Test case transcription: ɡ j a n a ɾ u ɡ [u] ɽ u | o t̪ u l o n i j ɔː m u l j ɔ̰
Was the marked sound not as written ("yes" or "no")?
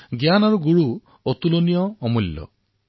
no